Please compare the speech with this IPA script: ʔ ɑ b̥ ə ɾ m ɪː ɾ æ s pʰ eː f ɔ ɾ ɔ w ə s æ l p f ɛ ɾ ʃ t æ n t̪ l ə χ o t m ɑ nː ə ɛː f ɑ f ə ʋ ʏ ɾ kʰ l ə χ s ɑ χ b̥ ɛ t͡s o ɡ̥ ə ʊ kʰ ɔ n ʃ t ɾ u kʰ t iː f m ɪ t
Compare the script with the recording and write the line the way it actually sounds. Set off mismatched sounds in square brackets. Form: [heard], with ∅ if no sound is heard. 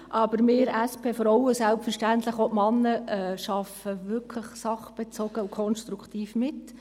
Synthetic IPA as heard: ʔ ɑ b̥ ə ɾ m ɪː ɾ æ s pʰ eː f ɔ ɾ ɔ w ə s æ l p f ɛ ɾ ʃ t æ n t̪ l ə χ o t m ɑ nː ə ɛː [ʃ] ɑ f ə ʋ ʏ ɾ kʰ l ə χ s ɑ χ b̥ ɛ t͡s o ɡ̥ ə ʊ kʰ ɔ n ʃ t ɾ u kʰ t iː f m ɪ t